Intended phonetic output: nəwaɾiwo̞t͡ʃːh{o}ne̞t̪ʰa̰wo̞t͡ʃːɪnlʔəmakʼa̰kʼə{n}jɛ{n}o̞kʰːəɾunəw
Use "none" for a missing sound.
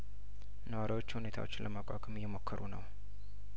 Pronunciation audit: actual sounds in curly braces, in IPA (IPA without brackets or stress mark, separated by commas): u, m, m